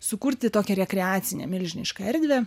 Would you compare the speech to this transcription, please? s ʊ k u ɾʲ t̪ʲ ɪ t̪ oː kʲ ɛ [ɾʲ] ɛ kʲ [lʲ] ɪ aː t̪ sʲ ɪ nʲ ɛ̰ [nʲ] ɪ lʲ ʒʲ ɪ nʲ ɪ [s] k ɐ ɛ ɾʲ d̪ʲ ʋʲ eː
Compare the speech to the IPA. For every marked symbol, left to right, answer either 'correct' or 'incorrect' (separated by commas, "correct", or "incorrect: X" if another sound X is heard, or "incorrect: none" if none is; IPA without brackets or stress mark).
correct, incorrect: ɾʲ, incorrect: mʲ, incorrect: ʃ